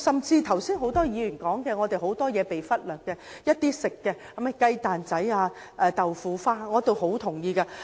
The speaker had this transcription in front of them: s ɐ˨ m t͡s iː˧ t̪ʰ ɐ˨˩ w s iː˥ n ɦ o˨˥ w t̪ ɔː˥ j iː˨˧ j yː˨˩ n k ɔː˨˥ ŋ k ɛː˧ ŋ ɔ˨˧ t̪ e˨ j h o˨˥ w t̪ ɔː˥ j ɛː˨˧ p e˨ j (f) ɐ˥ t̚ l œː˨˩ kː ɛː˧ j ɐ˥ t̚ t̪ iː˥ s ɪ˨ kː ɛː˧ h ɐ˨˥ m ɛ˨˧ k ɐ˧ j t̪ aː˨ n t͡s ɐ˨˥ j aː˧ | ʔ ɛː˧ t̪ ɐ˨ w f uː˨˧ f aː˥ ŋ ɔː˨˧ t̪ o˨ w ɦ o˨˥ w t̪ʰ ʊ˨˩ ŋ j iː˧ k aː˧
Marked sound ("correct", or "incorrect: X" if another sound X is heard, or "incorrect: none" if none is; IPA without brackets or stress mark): correct